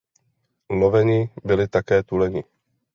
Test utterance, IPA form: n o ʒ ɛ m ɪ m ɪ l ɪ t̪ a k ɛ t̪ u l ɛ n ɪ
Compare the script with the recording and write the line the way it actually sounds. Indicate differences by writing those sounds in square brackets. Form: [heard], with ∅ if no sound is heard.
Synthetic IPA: n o [v] ɛ [ɲ] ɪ [b] ɪ l ɪ t̪ a k [ɛː] t̪ u l ɛ [ɲ] ɪ